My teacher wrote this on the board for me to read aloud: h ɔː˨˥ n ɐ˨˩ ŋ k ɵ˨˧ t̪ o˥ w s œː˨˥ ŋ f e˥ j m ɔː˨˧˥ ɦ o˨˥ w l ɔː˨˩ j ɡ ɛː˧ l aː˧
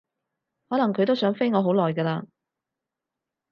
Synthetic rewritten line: h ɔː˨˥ n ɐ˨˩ ŋ kʰ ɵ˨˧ t̪ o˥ w s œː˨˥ ŋ f e˥ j ŋ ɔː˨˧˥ ɦ o˨˥ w l ɔː˨˩ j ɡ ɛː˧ l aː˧